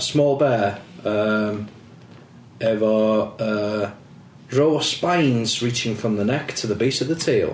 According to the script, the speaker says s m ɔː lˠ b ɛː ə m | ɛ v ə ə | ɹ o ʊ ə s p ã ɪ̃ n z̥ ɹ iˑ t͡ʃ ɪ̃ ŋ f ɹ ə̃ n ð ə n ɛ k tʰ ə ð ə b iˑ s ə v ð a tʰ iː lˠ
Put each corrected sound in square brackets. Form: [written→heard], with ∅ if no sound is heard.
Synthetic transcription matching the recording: s m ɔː lˠ b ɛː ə m | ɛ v ə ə | ɹ o ʊ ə s p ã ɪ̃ n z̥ ɹ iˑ t͡ʃ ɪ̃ ŋ f ɹ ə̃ [n→m] ð ə n ɛ k tʰ ə ð ə b iˑ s ə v ð [a→ə] tʰ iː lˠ